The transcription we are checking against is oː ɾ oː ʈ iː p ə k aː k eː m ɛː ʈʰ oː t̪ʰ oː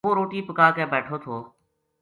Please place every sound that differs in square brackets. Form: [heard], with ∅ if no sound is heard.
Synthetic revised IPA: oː ɾ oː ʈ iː p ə k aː k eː [b] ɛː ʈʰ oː t̪ʰ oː